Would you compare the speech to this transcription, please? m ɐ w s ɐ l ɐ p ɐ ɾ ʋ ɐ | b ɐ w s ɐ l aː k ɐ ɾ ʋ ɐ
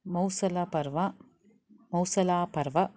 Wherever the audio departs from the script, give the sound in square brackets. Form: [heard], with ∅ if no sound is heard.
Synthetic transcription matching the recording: m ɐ w s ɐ l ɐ p ɐ ɾ ʋ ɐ | [m] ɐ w s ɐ l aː [p] ɐ ɾ ʋ ɐ